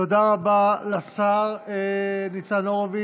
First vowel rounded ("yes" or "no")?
yes